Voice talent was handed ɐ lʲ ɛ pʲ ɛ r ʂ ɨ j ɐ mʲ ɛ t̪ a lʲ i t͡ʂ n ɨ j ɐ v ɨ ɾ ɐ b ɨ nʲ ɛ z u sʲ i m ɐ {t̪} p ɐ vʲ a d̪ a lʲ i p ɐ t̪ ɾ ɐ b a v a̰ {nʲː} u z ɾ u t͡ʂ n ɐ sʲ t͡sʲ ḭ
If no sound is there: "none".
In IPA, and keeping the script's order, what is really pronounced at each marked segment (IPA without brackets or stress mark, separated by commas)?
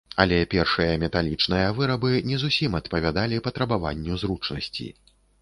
t̪, nʲː